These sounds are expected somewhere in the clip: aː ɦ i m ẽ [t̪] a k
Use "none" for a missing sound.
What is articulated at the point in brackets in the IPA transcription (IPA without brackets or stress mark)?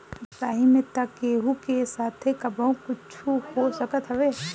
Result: t̪